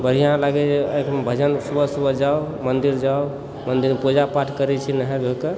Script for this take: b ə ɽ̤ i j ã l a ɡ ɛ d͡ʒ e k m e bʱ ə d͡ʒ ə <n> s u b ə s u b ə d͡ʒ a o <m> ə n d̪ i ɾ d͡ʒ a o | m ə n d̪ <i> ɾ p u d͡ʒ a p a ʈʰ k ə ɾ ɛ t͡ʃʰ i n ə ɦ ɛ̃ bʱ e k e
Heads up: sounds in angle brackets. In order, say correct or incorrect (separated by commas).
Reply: correct, correct, correct